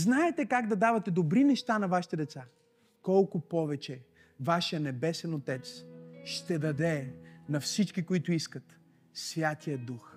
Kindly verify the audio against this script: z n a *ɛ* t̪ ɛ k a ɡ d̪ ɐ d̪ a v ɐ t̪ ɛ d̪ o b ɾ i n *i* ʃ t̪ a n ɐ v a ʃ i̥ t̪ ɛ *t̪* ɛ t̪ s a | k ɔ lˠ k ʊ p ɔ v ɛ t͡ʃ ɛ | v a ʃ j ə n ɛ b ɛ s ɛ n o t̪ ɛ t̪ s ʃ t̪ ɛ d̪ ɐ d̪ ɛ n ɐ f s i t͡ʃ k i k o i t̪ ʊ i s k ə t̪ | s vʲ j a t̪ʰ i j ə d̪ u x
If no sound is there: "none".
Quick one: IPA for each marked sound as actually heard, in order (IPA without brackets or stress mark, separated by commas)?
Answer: ɛ, ɛ, d̪